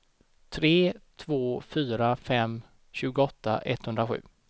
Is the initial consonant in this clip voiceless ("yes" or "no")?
yes